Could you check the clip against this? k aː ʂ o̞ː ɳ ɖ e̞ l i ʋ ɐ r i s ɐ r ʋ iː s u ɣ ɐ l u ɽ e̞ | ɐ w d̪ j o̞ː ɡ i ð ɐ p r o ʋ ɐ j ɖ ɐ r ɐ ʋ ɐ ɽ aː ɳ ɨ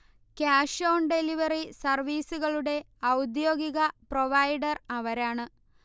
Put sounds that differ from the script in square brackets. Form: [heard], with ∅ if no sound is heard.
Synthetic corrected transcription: k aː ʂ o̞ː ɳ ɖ e̞ l i ʋ ɐ r i s ɐ r ʋ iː s u ɣ ɐ [ɭ] u ɽ e̞ | ɐ w d̪ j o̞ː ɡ i [ɣ] ɐ p r o ʋ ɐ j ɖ ɐ r ɐ ʋ ɐ [ɾ] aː ɳ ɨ